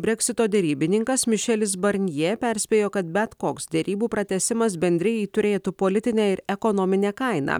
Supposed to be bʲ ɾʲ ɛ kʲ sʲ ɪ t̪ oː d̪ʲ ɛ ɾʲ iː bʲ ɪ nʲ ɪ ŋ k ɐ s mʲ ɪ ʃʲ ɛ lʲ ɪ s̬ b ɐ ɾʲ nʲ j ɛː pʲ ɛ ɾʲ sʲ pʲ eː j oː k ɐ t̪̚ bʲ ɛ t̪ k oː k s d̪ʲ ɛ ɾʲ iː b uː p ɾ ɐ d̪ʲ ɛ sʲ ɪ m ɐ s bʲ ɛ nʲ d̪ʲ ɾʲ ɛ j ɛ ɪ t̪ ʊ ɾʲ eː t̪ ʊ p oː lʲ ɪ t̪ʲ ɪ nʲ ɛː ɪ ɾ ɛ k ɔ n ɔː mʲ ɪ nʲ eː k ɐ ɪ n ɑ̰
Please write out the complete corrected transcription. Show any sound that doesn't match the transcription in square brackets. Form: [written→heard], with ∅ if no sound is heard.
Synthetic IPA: bʲ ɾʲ ɛ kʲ sʲ ɪ t̪ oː d̪ʲ ɛ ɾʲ iː bʲ ɪ nʲ ɪ ŋ k ɐ s mʲ ɪ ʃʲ ɛ lʲ ɪ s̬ b ɐ ɾʲ nʲ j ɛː pʲ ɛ ɾʲ sʲ pʲ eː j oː k ɐ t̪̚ bʲ ɛ t̪ k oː k s d̪ʲ ɛ ɾʲ iː b uː p ɾ ɐ [d̪ʲ→t̪ʲ] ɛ sʲ ɪ m ɐ s bʲ ɛ nʲ d̪ʲ ɾʲ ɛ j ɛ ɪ t̪ ʊ ɾʲ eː t̪ [ʊ→u] p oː lʲ ɪ t̪ʲ ɪ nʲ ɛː ɪ ɾ ɛ k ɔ n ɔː mʲ ɪ nʲ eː k ɐ ɪ n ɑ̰

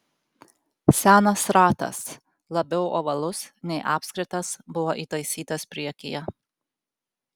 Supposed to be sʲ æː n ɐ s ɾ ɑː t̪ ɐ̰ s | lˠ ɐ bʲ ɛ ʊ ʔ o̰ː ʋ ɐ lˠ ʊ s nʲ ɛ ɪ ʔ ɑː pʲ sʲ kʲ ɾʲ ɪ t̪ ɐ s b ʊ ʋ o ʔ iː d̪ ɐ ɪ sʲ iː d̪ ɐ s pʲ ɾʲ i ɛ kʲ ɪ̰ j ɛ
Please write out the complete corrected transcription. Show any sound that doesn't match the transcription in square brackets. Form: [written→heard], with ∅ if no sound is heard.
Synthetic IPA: sʲ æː n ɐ s ɾ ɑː t̪ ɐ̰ s | lˠ ɐ bʲ ɛ ʊ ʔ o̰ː ʋ ɐ lˠ ʊ s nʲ ɛ ɪ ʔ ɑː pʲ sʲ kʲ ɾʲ ɪ t̪ ɐ s b ʊ ʋ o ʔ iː [d̪→t̪] ɐ ɪ sʲ iː [d̪→t̪] ɐ s pʲ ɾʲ i ɛ kʲ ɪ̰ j ɛ

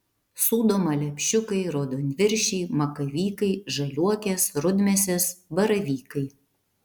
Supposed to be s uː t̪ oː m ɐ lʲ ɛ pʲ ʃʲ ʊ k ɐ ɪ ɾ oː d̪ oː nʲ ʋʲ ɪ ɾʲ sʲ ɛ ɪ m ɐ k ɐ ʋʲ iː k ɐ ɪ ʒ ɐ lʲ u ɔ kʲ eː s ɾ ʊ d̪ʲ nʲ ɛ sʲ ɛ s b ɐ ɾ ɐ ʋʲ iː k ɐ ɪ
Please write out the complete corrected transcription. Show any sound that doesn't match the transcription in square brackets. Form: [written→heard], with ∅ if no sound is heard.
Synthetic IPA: s uː [t̪→d̪] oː m ɐ lʲ ɛ pʲ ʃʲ ʊ k ɐ ɪ ɾ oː d̪ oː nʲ ʋʲ ɪ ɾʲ [sʲ→ʃʲ] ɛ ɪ m ɐ k ɐ ʋʲ iː k ɐ ɪ ʒ ɐ lʲ u ɔ kʲ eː s ɾ ʊ d̪ʲ [nʲ→mʲ] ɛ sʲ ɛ s b ɐ ɾ ɐ ʋʲ iː k ɐ ɪ

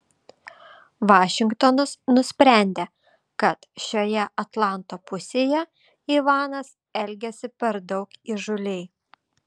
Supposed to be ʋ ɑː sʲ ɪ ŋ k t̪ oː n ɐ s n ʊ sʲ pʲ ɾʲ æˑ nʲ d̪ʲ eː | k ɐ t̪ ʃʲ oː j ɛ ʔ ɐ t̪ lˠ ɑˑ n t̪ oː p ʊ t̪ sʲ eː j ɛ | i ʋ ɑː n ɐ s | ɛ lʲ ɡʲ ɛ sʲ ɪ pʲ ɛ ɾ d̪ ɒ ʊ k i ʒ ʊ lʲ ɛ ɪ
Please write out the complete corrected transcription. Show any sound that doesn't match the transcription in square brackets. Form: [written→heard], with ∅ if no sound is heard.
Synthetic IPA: ʋ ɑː [sʲ→ʃʲ] ɪ ŋ k t̪ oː n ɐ s n ʊ sʲ pʲ ɾʲ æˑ nʲ d̪ʲ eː | k ɐ t̪ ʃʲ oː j ɛ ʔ ɐ t̪ lˠ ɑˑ n t̪ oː p ʊ [t̪→∅] sʲ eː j ɛ | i ʋ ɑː n ɐ s | ɛ lʲ ɡʲ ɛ sʲ ɪ pʲ ɛ ɾ d̪ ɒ ʊ k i ʒ ʊ lʲ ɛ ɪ

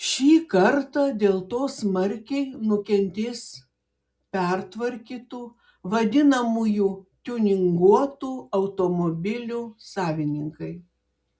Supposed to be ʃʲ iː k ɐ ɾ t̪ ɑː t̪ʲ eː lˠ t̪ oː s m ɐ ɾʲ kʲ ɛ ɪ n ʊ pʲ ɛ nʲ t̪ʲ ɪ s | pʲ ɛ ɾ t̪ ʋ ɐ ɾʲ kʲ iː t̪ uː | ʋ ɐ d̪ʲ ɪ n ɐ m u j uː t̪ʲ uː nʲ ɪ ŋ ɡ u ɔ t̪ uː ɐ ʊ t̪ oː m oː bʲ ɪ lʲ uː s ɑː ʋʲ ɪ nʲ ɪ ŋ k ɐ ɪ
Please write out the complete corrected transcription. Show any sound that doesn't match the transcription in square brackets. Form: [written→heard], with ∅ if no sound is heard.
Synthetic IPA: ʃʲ iː k ɐ ɾ t̪ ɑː [t̪ʲ→d̪ʲ] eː lˠ t̪ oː s m ɐ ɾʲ kʲ ɛ ɪ n ʊ [pʲ→kʲ] ɛ nʲ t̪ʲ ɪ s | pʲ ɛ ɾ t̪ ʋ ɐ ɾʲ kʲ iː t̪ uː | ʋ ɐ d̪ʲ ɪ n ɐ m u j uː t̪ʲ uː nʲ ɪ ŋ ɡ u ɔ t̪ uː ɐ ʊ t̪ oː m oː bʲ ɪ lʲ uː s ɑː ʋʲ ɪ nʲ ɪ ŋ k ɐ ɪ

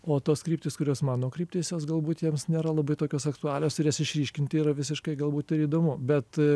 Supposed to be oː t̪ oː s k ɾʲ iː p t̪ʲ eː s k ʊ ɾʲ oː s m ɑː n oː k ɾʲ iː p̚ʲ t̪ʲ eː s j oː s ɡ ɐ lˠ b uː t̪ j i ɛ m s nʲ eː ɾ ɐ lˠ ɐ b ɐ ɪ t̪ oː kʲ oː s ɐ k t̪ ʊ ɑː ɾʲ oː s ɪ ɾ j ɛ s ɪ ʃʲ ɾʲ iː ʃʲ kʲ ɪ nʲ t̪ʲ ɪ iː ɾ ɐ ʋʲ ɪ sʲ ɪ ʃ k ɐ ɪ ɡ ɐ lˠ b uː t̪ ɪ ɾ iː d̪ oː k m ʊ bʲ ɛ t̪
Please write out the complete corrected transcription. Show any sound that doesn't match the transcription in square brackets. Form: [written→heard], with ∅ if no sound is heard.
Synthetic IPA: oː t̪ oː s k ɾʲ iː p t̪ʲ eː s k ʊ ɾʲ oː s m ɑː n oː k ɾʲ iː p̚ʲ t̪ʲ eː s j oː s ɡ ɐ lˠ b uː t̪ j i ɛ m s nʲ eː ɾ ɐ lˠ ɐ b ɐ ɪ t̪ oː kʲ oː s ɐ k t̪ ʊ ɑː [ɾʲ→lʲ] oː s ɪ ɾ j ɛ s ɪ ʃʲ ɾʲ iː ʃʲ kʲ ɪ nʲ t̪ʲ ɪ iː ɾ ɐ ʋʲ ɪ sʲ ɪ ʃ k ɐ ɪ ɡ ɐ lˠ b uː t̪ ɪ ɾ iː d̪ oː [k→∅] m ʊ bʲ ɛ t̪

